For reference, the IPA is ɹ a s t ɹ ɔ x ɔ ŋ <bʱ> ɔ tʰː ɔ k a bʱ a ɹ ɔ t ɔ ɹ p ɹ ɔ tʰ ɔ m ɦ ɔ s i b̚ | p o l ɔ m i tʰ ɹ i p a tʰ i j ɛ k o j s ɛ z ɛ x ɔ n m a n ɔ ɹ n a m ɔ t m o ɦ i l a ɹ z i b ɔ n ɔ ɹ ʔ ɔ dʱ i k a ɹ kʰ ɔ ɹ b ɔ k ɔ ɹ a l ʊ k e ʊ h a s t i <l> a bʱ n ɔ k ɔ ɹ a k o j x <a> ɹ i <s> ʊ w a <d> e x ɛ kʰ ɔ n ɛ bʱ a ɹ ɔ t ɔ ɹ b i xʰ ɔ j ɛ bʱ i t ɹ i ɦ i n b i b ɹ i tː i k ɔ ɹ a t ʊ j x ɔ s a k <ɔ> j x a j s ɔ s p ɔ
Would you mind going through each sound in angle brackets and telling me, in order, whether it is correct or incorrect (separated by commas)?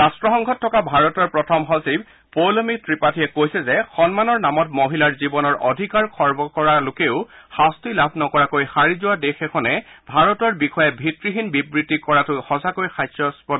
incorrect, correct, correct, incorrect, correct, incorrect